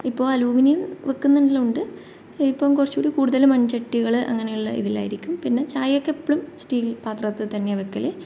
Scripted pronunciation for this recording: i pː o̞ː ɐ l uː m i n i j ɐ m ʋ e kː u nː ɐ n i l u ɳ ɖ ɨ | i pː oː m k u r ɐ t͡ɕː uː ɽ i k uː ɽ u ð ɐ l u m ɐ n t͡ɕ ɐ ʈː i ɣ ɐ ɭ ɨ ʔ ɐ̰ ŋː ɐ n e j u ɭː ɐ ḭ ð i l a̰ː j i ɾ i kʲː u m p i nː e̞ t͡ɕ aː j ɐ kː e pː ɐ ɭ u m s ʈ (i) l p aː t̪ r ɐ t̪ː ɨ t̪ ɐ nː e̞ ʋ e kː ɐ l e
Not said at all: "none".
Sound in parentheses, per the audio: iː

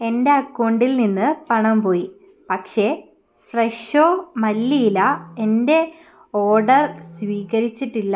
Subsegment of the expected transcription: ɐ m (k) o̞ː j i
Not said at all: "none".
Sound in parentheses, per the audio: p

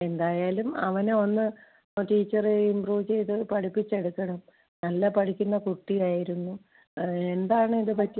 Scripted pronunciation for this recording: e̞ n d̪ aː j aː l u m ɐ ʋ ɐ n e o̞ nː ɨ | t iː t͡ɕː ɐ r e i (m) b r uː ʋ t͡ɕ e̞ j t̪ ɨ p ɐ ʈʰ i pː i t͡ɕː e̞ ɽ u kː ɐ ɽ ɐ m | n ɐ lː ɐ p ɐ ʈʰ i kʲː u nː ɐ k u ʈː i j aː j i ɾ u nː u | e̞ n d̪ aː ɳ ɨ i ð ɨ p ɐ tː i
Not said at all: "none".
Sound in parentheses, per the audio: m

